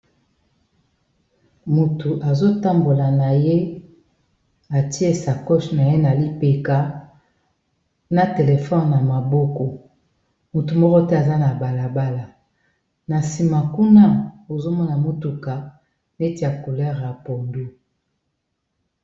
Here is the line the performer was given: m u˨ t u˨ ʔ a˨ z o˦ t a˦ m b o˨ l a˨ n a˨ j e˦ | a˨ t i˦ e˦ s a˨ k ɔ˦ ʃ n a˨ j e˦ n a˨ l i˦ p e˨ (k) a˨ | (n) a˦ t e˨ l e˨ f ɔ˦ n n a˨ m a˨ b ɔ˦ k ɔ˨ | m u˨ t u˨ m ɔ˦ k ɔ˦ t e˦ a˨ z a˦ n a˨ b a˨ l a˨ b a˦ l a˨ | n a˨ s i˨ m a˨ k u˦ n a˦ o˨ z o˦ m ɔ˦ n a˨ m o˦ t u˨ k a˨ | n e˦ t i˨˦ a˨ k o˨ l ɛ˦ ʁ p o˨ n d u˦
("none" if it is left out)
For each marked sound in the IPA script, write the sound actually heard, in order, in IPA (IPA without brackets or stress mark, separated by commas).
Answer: k, n